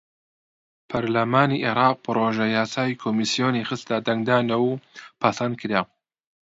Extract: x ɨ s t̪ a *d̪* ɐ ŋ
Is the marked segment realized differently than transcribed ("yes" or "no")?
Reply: no